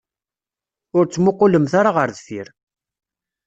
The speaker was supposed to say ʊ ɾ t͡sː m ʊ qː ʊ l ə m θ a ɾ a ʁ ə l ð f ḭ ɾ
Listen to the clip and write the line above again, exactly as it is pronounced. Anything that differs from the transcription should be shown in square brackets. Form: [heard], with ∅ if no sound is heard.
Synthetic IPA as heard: ʊ ɾ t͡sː m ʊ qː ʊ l ə m θ a ɾ a ʁ ə [ɾ] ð f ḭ ɾ